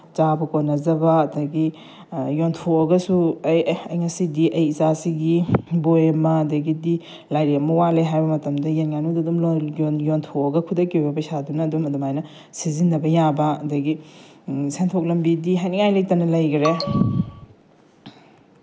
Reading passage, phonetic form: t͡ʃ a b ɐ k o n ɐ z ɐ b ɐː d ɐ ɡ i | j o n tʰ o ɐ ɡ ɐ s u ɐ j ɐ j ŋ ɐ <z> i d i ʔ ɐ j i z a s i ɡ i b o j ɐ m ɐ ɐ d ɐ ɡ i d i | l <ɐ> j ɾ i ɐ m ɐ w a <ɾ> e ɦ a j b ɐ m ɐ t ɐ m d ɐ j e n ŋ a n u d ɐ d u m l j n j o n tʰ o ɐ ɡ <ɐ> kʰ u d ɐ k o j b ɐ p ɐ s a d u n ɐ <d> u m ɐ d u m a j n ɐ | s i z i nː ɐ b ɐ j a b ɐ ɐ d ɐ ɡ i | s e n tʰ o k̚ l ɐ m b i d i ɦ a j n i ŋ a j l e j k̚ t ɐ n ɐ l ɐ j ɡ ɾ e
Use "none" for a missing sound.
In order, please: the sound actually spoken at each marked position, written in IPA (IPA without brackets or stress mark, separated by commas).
s, a, l, ɐ, d